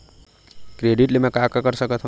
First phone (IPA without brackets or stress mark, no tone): k